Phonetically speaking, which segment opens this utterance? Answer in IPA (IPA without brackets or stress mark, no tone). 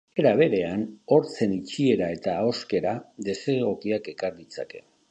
e̞